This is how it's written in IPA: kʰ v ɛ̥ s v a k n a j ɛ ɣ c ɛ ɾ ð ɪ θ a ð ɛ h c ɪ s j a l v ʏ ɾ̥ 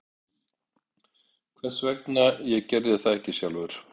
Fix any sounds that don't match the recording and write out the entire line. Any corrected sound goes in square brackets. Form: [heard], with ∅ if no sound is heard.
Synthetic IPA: kʰ v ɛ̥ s v [ɛ] k n a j ɛ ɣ c ɛ ɾ ð ɪ θ a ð ɛ h c ɪ s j a l v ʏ ɾ̥